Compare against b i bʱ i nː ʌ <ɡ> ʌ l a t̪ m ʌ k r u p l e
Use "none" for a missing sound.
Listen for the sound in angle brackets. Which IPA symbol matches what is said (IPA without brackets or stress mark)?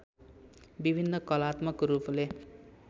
k